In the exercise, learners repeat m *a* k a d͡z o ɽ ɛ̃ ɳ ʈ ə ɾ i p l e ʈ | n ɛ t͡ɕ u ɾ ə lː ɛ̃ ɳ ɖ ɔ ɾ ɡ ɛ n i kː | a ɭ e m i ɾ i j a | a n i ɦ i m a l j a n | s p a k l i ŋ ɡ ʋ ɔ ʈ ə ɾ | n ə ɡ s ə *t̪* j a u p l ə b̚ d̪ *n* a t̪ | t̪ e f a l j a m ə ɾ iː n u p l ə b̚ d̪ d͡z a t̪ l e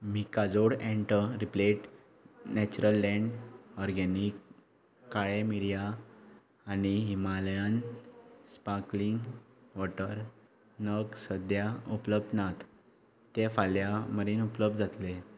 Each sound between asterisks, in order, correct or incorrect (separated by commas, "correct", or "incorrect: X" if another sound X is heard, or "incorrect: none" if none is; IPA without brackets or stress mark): incorrect: i, incorrect: d̪, correct